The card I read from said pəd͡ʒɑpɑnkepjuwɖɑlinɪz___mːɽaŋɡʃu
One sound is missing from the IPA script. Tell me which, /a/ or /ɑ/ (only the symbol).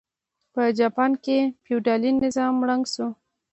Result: ɑ